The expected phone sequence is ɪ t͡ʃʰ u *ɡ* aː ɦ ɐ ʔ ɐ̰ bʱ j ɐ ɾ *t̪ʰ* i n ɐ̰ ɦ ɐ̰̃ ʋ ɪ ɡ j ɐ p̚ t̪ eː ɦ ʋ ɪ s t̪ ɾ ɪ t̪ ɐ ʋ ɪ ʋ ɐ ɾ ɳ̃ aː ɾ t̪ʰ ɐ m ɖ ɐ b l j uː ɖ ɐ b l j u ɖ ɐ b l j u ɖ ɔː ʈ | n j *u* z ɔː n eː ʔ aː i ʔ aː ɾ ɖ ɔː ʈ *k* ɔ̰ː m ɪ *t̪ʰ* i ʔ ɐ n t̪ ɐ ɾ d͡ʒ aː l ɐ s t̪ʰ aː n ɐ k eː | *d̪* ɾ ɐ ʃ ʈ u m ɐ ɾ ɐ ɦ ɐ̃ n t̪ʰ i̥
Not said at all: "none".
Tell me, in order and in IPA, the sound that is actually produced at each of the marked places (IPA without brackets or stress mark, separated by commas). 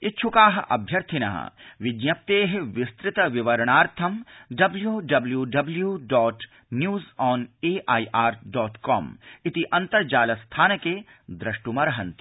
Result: k, t̪ʰ, uː, k, t̪, d̪